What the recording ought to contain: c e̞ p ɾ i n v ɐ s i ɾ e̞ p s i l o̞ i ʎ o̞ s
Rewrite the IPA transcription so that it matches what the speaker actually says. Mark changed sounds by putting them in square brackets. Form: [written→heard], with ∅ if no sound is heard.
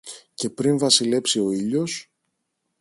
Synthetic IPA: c e̞ p ɾ i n v ɐ s i [ɾ→l] e̞ p s i [l→∅] o̞ i ʎ o̞ s